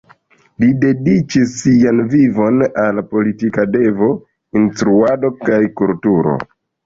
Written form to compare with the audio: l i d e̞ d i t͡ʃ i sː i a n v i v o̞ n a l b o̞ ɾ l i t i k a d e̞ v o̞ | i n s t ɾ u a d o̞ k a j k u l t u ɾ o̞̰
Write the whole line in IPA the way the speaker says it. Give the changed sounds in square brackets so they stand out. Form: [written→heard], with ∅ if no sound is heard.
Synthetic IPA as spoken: l i d e̞ d i t͡ʃ i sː i a n v i v o̞ n a l [b→p] o̞ [ɾ→∅] l i t i k a d e̞ v o̞ | i n s t ɾ u a d o̞ k a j k u l t u ɾ o̞̰